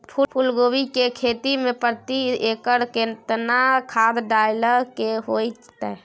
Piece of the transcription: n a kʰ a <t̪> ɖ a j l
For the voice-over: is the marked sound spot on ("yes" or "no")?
no